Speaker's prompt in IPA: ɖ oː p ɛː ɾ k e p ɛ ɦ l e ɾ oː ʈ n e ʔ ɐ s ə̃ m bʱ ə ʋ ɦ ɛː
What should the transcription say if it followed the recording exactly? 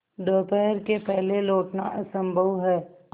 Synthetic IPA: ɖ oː p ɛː ɾ k e p ɛ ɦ l e l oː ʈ n a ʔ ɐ s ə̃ m bʱ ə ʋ ɦ ɛː